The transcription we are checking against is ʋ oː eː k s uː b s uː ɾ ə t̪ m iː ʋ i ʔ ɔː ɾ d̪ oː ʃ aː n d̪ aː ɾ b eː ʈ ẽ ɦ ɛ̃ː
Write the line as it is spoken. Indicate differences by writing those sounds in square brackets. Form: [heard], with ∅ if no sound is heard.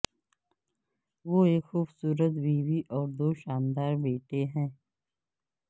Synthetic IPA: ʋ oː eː k [x] uː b s uː ɾ ə t̪ [b] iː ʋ i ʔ ɔː ɾ d̪ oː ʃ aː n d̪ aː ɾ b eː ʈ [e] ɦ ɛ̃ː